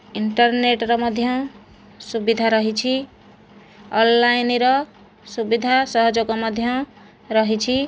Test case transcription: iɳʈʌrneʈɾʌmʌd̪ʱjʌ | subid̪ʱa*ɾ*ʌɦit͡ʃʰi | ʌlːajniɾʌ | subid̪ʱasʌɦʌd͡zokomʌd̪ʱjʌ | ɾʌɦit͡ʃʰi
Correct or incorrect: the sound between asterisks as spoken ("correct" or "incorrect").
correct